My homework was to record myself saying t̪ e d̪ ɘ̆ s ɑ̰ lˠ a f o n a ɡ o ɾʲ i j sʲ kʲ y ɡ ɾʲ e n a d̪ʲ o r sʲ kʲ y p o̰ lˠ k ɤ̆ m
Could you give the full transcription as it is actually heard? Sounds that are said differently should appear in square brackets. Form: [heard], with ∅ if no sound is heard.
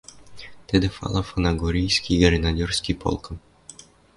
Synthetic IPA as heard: t̪ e d̪ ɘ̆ [f] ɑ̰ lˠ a f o n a ɡ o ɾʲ i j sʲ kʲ [i] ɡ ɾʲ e n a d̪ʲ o r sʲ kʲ [i] p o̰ lˠ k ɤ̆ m